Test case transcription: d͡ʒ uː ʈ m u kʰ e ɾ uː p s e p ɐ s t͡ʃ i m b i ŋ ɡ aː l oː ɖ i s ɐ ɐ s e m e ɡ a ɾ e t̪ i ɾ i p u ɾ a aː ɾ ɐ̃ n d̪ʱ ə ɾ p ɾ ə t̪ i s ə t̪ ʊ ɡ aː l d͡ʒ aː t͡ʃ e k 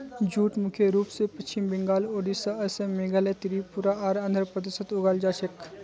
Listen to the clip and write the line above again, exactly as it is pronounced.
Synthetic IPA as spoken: d͡ʒ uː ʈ m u kʰ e ɾ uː p s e p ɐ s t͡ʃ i m b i ŋ ɡ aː l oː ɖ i s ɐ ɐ s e m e ɡ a l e t̪ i ɾ i p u ɾ a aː ɾ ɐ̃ n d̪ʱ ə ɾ p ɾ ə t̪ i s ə t̪ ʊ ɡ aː l d͡ʒ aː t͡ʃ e k